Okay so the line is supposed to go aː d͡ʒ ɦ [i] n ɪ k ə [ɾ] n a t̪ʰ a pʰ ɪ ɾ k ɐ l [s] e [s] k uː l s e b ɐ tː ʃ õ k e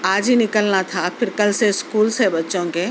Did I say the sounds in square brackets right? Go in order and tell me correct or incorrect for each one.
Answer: correct, incorrect: l, correct, correct

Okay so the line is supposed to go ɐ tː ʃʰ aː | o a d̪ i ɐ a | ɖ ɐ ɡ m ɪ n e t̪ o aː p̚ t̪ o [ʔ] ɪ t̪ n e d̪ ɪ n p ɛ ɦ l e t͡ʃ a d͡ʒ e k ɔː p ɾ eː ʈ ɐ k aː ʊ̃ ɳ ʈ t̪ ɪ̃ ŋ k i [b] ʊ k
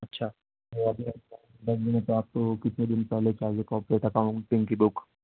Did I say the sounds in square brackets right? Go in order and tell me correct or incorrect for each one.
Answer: incorrect: k, correct

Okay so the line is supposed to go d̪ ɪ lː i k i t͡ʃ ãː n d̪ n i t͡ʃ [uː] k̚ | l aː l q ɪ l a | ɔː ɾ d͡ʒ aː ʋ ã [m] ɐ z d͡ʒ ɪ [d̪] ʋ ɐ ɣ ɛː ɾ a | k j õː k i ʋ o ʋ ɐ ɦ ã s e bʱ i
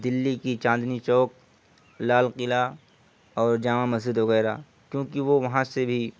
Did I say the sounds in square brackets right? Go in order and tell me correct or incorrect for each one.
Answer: incorrect: ɔː, correct, correct

